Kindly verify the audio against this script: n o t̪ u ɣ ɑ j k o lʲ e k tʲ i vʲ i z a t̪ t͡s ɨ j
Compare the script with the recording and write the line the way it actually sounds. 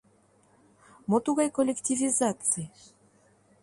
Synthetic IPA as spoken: m o t̪ u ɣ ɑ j k o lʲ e k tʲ i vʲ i z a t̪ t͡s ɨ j

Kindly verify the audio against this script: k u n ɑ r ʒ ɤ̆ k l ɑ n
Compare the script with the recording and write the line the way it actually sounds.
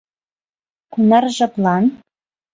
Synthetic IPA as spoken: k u n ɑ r ʒ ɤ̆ p l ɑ n

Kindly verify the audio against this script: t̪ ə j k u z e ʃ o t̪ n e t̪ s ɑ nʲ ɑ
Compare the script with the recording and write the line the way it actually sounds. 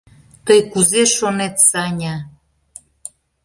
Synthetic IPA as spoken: t̪ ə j k u z e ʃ o n e t̪ s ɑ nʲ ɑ

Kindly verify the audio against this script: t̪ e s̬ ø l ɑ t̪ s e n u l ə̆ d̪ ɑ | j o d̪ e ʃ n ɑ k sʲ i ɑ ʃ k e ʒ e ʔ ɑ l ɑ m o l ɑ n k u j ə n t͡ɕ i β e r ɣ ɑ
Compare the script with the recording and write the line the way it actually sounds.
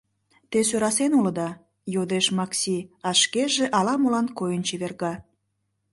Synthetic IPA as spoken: t̪ e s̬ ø ɾ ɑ s e n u l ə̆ d̪ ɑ | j o d̪ e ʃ m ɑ k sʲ i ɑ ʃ k e ʒ e ʔ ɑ l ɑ m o l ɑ n k o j ə n t͡ɕ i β e r ɣ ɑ

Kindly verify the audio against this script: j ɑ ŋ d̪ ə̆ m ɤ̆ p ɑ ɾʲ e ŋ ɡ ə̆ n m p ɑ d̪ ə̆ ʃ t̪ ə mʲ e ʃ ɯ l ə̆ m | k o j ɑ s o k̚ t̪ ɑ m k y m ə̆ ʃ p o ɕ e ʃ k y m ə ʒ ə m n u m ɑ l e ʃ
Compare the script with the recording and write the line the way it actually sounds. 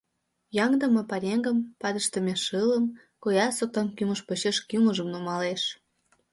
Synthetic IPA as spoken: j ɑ ŋ d̪ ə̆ m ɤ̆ p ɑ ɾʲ e ŋ ɡ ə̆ m p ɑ d̪ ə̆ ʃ t̪ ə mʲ e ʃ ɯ l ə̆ m | k o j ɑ s o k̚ t̪ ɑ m k y m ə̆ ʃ p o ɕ e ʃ k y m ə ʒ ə m n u m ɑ l e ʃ

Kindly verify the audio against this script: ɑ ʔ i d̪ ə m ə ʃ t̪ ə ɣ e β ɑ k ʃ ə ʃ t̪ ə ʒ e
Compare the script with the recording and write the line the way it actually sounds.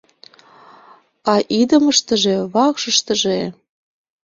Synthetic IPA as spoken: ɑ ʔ i d̪ ə m ə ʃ t̪ ə ʒ e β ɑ k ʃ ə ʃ t̪ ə ʒ e

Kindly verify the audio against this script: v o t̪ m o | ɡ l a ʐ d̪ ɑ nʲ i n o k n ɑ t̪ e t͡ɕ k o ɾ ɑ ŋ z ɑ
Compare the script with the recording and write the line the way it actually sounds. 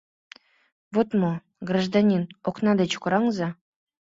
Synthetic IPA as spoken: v o t̪ m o | ɡ r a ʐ d̪ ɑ nʲ i n o k n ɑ d̪ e t͡ɕ k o ɾ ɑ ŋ z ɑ

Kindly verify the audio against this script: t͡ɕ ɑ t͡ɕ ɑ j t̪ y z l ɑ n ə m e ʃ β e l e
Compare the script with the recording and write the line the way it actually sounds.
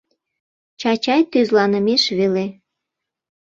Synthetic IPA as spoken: t͡ɕ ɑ t͡ɕ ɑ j t̪ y z l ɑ n ə m e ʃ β e l e

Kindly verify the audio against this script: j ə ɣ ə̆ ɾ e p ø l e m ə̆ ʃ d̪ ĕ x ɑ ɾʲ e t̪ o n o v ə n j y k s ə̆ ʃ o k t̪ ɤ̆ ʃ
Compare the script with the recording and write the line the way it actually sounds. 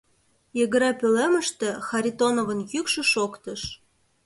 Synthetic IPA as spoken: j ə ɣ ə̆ ɾ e p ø l e m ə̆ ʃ t̪ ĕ x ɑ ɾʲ i t̪ o n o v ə n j y k ʃ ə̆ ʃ o k t̪ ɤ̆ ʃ

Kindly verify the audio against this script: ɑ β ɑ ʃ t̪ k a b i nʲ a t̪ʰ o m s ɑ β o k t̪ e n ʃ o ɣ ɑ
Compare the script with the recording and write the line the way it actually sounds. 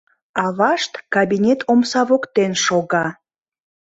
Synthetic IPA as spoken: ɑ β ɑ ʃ t̪ k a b i nʲ e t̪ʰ o m s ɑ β o k t̪ e n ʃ o ɣ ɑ

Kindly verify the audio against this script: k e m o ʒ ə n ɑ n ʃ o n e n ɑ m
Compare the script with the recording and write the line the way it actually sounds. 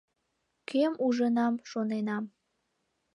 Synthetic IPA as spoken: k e m u ʒ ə n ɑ m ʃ o n e n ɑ m

